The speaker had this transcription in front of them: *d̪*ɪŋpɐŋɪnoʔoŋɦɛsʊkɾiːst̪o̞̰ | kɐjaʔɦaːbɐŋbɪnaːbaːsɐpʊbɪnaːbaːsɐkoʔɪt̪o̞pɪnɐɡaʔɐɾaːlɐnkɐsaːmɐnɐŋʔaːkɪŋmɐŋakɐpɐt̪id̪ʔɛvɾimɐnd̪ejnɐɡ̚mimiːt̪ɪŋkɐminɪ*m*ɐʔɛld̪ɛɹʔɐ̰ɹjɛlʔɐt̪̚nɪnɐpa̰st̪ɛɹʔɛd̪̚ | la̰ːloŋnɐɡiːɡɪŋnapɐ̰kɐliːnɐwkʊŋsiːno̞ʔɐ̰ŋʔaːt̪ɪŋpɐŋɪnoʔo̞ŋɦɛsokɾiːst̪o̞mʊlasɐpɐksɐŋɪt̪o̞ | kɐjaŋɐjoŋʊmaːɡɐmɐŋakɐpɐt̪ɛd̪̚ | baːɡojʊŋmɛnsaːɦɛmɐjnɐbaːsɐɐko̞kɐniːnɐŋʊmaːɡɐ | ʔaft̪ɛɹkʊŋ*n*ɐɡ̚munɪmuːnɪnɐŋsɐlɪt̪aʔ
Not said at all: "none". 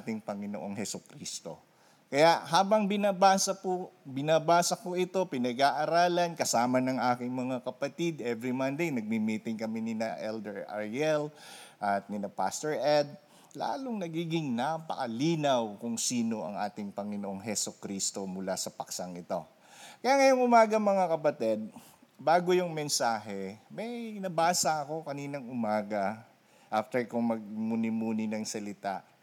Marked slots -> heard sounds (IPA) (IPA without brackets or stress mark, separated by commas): t̪, n, m